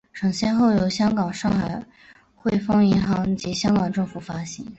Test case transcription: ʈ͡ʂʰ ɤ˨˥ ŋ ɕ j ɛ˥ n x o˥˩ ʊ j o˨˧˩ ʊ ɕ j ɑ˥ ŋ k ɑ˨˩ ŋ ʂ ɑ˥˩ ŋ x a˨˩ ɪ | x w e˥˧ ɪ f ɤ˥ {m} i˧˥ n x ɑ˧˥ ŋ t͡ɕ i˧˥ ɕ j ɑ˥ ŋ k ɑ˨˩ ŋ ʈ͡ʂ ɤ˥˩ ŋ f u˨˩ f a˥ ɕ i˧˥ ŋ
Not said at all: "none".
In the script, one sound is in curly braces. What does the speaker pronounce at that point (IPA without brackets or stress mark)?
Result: ŋ